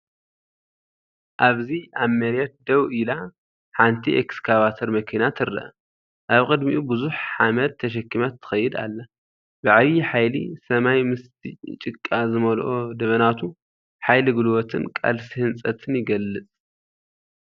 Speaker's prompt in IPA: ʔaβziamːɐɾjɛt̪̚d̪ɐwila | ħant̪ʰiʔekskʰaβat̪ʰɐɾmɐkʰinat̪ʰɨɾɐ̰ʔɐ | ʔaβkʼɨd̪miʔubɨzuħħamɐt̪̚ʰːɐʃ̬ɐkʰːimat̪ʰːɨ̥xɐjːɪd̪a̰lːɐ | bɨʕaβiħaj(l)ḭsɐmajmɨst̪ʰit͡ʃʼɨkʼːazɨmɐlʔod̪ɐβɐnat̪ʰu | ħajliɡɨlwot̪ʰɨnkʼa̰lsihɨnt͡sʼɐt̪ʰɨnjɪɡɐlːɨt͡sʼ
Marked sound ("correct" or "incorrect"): correct